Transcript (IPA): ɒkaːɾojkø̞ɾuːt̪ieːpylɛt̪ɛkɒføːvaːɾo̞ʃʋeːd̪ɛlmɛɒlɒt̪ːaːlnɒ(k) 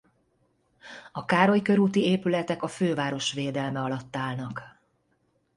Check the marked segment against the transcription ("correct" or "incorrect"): correct